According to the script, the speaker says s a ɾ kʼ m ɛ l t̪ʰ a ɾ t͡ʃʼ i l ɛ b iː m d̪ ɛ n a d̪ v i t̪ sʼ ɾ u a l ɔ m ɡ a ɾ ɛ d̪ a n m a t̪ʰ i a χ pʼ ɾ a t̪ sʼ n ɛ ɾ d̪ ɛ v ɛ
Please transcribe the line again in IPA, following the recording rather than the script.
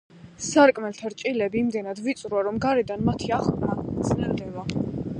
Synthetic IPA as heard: s a ɾ kʼ m ɛ l t̪ʰ a ɾ t͡ʃʼ i l ɛ b iː m d̪ ɛ n a d̪ v i t̪ sʼ ɾ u a ɾ ɔ m ɡ a ɾ ɛ d̪ a n m a t̪ʰ i a χ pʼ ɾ a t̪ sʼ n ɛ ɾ d̪ ɛ v a